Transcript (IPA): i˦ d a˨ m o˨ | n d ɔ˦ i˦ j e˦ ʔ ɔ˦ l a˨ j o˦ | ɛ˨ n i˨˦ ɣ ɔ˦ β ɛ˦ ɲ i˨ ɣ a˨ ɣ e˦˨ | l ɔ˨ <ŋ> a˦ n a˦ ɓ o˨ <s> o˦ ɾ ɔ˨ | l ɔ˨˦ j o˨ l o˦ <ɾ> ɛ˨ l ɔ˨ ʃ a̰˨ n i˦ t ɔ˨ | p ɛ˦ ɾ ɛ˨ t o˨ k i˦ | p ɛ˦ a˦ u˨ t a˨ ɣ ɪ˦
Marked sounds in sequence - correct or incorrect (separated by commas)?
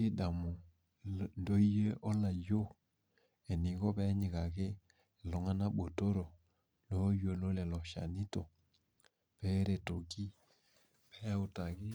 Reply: correct, incorrect, incorrect